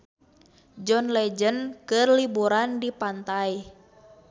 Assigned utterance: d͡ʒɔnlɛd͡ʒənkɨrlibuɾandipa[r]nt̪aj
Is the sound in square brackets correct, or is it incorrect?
incorrect: none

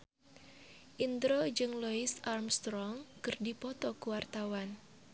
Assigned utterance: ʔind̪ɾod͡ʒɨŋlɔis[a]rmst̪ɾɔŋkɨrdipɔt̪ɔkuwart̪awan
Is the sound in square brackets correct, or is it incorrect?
correct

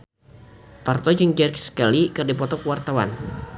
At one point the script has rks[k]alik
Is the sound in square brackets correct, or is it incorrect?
correct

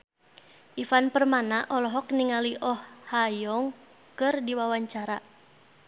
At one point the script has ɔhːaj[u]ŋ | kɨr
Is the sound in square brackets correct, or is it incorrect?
incorrect: ɔ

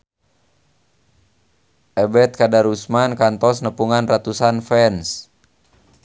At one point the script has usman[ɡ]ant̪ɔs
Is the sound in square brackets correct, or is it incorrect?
incorrect: k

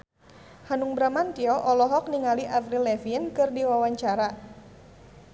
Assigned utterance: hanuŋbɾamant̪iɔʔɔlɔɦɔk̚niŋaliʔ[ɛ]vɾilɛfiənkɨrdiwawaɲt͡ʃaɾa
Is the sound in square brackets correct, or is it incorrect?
incorrect: a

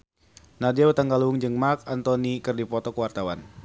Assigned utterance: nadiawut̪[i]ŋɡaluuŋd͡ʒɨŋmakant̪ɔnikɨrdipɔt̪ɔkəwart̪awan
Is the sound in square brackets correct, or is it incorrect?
incorrect: a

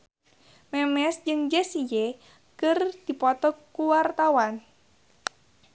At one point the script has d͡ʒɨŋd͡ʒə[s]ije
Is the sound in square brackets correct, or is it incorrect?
correct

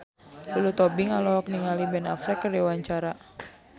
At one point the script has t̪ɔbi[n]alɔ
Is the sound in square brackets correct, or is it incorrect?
incorrect: ŋ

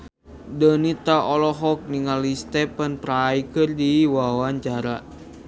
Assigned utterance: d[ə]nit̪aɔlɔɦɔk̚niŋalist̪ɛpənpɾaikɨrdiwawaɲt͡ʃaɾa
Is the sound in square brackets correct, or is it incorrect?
correct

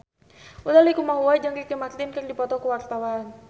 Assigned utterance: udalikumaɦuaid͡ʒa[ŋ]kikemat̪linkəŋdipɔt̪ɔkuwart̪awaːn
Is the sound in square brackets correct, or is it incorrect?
correct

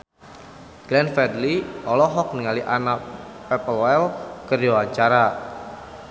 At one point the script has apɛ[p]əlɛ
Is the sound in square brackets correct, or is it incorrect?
correct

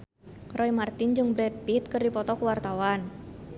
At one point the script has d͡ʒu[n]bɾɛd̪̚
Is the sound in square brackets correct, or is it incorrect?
incorrect: ŋ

